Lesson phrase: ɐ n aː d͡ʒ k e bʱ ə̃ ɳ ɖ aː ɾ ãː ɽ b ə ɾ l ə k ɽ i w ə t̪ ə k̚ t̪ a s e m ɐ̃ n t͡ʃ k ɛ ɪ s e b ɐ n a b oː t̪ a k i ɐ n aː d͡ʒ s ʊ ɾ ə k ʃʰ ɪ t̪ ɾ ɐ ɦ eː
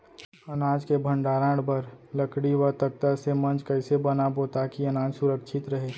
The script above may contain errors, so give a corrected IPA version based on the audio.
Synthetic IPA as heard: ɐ n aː d͡ʒ k e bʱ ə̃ ɳ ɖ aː ɾ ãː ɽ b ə ɾ l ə k ɽ i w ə t̪ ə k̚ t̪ a s e m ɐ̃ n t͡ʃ k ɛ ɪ s e b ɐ n a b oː t̪ a k i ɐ n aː d͡ʒ s ʊ ɾ ə k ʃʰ ɪ t̪ ɾ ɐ ɦ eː